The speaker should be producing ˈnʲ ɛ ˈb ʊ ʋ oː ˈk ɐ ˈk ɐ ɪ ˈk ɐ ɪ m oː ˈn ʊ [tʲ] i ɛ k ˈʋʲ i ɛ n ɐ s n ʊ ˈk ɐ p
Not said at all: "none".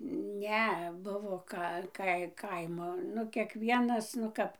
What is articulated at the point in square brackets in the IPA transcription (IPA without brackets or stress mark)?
kʲ